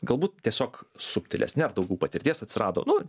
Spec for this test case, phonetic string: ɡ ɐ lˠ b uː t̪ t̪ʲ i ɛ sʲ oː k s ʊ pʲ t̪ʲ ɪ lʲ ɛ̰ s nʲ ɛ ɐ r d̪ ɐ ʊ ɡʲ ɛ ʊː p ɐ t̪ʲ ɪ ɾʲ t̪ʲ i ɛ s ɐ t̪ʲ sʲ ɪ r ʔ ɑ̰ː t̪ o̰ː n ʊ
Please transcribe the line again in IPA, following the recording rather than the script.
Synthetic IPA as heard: ɡ ɐ lˠ b uː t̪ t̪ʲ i ɛ sʲ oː k s ʊ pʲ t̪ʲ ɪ lʲ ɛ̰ s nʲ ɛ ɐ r d̪ ɐ ʊ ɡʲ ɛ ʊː p ɐ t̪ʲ ɪ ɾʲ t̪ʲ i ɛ s ɐ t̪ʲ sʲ ɪ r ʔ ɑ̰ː d̪ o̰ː n ʊ